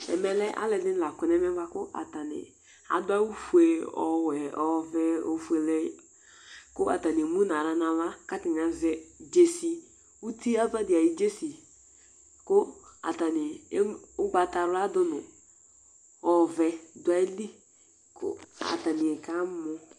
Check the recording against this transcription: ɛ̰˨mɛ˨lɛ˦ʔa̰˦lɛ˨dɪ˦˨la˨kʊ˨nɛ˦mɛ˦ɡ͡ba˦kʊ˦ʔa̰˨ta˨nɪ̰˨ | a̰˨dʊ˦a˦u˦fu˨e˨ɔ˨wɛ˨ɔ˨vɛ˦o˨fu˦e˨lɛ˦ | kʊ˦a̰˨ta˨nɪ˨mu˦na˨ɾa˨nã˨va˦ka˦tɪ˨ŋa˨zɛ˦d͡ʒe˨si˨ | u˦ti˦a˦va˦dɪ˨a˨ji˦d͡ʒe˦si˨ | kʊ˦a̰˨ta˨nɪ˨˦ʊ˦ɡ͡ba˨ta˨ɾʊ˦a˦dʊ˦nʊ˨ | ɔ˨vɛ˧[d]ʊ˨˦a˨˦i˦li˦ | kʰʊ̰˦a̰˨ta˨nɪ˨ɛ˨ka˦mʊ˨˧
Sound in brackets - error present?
no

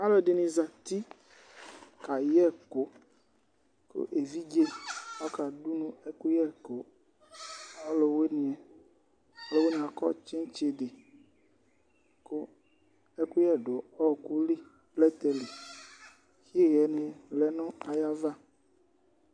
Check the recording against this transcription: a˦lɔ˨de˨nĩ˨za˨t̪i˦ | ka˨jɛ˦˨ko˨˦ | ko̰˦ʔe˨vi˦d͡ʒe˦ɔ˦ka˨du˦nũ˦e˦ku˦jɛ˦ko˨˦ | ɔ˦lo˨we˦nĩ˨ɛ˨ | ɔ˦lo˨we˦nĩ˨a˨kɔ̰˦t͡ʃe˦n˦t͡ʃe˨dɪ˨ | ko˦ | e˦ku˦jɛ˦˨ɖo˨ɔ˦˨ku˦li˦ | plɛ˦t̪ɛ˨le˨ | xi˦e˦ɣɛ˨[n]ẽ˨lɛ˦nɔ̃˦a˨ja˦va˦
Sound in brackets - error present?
no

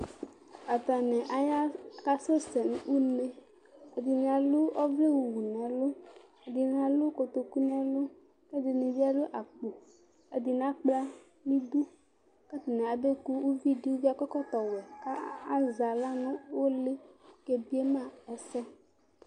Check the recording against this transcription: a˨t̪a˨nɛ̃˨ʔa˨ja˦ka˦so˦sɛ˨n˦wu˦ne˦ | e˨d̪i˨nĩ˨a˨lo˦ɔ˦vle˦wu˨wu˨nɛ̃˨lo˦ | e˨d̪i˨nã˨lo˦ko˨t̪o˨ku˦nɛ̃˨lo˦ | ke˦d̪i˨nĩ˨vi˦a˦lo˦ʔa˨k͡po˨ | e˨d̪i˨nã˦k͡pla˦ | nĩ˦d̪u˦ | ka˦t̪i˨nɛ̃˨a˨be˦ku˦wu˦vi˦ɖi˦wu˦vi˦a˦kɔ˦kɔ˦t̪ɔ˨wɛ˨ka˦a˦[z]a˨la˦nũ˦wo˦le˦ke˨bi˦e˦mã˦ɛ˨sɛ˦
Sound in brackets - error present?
no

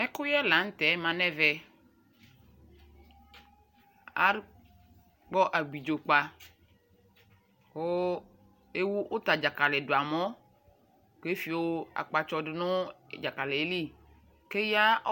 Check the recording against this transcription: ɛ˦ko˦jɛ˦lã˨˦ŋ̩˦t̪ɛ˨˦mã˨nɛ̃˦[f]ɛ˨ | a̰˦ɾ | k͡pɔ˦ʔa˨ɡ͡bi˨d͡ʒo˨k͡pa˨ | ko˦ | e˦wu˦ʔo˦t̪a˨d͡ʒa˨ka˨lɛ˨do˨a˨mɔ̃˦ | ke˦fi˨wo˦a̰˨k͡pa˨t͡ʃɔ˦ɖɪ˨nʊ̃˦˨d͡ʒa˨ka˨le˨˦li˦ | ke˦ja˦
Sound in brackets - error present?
yes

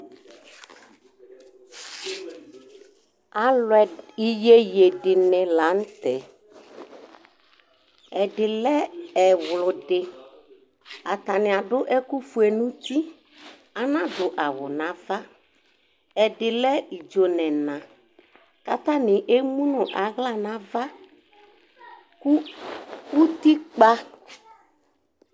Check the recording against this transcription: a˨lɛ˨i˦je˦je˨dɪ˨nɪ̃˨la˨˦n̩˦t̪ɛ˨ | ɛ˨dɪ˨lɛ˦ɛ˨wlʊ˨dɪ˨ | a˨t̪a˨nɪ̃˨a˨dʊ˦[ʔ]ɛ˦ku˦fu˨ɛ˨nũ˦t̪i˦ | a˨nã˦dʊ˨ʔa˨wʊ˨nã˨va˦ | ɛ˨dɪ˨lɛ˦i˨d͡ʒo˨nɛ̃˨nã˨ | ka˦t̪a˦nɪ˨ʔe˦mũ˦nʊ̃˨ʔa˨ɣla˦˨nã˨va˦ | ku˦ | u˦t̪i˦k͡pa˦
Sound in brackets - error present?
no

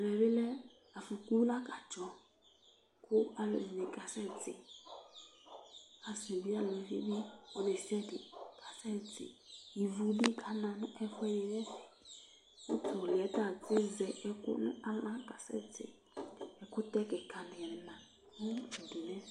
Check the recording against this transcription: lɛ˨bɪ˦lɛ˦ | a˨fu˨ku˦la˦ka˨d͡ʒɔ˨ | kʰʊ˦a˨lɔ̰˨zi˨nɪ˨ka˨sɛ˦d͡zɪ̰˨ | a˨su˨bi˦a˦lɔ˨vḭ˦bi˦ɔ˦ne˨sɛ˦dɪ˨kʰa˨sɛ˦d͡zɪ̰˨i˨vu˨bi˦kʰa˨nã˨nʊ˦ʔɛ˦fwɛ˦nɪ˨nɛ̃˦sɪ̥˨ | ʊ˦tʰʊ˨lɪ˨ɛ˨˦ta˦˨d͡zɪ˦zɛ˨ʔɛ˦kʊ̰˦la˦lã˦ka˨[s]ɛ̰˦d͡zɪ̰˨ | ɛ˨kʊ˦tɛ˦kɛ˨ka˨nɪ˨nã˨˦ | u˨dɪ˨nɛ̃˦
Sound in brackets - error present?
no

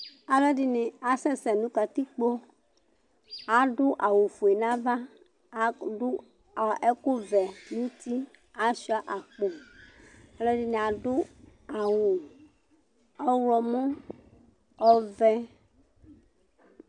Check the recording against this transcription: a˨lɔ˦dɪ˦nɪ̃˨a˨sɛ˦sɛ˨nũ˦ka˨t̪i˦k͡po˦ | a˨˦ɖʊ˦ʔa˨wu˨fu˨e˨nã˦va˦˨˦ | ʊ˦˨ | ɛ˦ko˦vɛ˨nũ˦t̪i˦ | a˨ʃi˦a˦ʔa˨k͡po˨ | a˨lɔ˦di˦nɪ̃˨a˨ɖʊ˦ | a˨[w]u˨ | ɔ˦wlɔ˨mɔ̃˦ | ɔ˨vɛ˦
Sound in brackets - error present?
no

